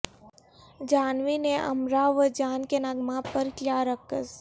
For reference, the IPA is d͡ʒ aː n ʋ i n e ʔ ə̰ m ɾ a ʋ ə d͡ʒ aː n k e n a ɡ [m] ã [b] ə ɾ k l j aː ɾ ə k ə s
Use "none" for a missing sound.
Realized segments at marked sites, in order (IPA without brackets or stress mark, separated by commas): m, p